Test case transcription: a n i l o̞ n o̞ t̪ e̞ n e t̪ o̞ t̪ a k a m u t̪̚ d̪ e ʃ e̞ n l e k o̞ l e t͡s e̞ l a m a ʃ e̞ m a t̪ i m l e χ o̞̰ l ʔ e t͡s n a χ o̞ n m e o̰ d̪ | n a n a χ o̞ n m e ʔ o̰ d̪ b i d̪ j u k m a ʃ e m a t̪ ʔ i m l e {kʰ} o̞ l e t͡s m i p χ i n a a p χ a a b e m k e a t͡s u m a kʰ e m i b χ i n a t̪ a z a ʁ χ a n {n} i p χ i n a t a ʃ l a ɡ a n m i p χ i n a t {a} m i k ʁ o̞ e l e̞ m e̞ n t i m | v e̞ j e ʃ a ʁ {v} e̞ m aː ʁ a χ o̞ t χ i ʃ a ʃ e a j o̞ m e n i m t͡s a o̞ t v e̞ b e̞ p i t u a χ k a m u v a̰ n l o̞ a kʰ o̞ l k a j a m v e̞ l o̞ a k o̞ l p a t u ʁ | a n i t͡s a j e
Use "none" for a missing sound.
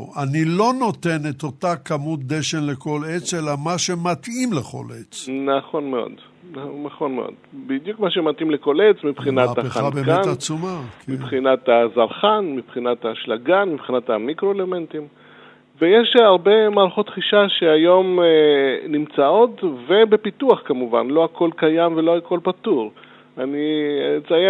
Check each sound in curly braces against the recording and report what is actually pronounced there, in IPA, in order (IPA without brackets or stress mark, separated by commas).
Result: k, m, a, b